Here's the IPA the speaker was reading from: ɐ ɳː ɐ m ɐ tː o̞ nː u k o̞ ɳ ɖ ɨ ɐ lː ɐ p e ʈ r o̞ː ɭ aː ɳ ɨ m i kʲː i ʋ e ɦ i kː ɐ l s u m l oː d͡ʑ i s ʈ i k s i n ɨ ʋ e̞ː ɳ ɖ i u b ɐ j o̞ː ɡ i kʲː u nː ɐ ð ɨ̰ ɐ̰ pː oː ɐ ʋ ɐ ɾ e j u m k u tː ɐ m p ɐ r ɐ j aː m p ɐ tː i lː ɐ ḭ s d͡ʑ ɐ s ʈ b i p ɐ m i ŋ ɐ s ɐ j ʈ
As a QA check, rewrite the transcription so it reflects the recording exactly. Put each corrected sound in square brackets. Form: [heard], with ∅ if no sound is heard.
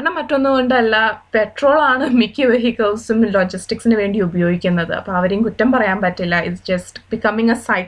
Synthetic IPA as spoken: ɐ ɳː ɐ m ɐ tː o̞ nː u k o̞ ɳ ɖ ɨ ɐ lː ɐ p e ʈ r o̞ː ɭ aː ɳ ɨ m i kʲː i ʋ e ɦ i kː ɐ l s u m l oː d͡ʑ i s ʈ i k s i n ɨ ʋ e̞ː ɳ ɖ i u b ɐ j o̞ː ɡ i kʲː u nː ɐ ð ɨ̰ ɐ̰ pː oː ɐ ʋ ɐ ɾ e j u m k u tː ɐ m p ɐ r ɐ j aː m p ɐ tː i lː ɐ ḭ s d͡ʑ ɐ s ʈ b i [k] ɐ m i ŋ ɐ s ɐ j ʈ